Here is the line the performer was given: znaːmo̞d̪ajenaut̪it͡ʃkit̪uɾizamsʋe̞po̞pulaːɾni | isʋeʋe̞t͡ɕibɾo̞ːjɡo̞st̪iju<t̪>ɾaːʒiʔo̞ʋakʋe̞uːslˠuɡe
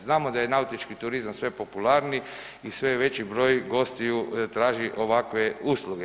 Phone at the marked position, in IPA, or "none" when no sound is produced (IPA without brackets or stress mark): t̪